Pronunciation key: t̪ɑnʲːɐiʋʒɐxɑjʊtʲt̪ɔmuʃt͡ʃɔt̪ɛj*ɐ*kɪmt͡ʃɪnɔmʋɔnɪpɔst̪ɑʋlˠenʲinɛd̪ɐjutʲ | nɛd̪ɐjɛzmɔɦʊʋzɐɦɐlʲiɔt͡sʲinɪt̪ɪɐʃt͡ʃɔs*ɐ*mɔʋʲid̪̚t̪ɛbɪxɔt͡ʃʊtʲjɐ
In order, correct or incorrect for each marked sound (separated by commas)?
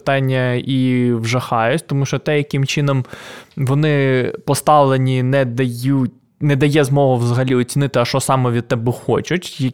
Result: correct, incorrect